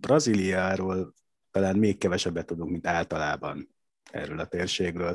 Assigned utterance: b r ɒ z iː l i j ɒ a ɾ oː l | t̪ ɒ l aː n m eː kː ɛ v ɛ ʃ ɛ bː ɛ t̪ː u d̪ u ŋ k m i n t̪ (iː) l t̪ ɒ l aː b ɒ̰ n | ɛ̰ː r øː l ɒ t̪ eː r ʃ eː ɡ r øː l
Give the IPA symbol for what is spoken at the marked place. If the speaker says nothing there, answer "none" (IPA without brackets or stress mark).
aː